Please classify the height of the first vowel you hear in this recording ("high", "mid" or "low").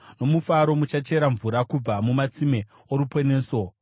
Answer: mid